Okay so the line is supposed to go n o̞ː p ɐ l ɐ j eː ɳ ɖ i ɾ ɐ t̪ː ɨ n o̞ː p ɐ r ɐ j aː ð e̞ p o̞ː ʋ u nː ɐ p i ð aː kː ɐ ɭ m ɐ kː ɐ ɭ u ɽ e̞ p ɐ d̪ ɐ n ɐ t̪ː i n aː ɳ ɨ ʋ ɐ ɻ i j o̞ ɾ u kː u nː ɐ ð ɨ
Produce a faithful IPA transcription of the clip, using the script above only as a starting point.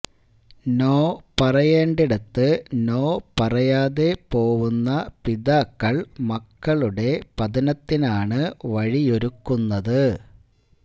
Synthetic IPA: n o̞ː p ɐ r ɐ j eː ɳ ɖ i ɽ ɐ t̪ː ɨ n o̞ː p ɐ r ɐ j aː ð e̞ p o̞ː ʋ u nː ɐ p i ð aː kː ɐ ɭ m ɐ kː ɐ ɭ u ɽ e̞ p ɐ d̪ ɐ n ɐ t̪ː i n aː ɳ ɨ ʋ ɐ ɻ i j o̞ ɾ u kː u nː ɐ ð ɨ